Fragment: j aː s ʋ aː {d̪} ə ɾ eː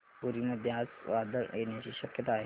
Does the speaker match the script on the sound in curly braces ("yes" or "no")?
yes